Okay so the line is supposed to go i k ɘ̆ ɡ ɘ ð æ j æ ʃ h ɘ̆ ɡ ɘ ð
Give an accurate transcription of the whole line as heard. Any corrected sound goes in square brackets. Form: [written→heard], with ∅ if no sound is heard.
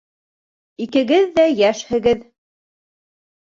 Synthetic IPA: i k ɘ̆ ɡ ɘ [ð→ðː] æ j æ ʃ h ɘ̆ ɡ ɘ ð

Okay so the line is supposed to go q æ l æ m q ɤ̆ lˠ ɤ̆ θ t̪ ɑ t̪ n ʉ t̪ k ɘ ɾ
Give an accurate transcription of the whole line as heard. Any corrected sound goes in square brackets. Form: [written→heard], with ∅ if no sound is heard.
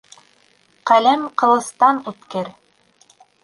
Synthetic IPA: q æ l æ m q ɤ̆ lˠ ɤ̆ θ t̪ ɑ [t̪→∅] n ʉ t̪ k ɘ ɾ

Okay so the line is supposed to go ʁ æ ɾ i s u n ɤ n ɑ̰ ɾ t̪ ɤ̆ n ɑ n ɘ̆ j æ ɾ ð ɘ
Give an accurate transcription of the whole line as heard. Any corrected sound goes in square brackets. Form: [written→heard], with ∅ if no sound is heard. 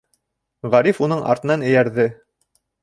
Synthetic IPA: ʁ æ ɾ i [s→f] u n ɤ [n→ɴ] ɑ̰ ɾ t̪ ɤ̆ n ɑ n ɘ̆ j æ ɾ ð ɘ

